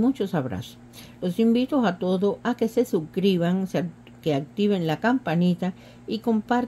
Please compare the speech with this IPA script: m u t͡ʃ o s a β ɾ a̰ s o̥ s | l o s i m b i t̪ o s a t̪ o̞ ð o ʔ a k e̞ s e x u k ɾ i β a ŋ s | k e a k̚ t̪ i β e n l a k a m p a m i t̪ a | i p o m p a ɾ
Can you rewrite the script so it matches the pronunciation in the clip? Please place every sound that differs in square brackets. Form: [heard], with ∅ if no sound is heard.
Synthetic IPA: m u t͡ʃ o s a β ɾ a̰ s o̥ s | l o s i m b i t̪ o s a t̪ o̞ ð o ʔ a k e̞ s e [s] u k ɾ i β a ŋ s | k e a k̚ t̪ i β e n l a k a m p a [n] i t̪ a | i [k] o m p a ɾ